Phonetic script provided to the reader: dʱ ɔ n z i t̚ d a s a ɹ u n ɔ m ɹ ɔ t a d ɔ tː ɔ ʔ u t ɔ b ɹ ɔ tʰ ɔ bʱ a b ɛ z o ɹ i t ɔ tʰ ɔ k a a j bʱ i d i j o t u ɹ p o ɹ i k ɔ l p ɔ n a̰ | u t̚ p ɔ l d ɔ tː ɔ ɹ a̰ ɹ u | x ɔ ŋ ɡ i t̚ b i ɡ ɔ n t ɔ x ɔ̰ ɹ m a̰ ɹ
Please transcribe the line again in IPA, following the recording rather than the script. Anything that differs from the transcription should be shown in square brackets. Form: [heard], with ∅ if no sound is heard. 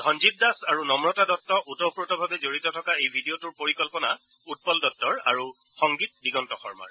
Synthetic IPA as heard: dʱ ɔ n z i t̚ d a s a ɹ u n ɔ m ɹ ɔ t a d ɔ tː ɔ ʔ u t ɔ [p] ɹ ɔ [t] ɔ bʱ a b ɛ z o ɹ i t ɔ tʰ ɔ k a [e] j bʱ i d i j o t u ɹ p o ɹ i k ɔ l p ɔ n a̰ | u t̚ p ɔ l d ɔ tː ɔ ɹ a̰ ɹ u | x ɔ ŋ ɡ i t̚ b i ɡ ɔ n t ɔ x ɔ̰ ɹ m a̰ ɹ